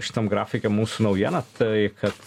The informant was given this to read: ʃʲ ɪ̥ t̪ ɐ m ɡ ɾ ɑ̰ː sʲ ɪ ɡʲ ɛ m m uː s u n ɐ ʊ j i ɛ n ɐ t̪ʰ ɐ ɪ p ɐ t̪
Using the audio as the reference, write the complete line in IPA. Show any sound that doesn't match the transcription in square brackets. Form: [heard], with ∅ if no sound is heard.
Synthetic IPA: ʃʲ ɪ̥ t̪ ɐ m ɡ ɾ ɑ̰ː [fʲ] ɪ [kʲ] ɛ m m uː s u n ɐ ʊ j i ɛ n ɐ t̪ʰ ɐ ɪ [k] ɐ t̪